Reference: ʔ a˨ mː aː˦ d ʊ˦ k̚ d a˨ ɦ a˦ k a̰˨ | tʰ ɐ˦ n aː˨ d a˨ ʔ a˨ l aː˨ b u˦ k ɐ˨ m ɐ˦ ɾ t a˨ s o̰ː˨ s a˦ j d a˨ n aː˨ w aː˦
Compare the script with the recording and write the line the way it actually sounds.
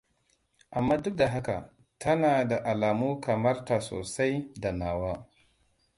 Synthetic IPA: ʔ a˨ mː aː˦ d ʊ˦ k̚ d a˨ ɦ a˦ k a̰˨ | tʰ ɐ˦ n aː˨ d a˨ ʔ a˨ l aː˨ m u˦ k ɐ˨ m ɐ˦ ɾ t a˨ s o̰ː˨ s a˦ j d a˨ n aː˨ w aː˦